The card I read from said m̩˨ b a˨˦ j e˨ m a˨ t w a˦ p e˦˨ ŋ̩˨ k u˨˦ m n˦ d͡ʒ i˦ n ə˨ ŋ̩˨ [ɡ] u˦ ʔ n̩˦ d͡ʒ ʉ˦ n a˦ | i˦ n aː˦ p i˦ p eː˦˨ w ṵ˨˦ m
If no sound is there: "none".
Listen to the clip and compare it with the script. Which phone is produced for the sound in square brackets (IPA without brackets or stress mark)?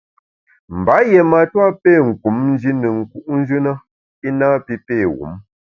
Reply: k